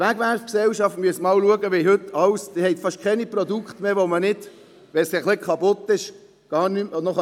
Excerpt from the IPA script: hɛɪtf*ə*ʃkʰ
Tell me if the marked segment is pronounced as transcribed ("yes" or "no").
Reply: no